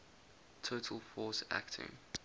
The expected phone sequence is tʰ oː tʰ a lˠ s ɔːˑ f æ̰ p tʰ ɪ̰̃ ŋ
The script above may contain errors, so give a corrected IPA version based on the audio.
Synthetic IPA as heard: tʰ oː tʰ ə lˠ f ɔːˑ s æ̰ k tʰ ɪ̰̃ ŋ